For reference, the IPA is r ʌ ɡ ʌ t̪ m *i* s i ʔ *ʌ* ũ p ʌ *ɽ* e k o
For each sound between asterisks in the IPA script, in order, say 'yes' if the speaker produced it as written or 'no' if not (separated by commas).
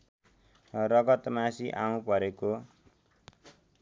no, no, no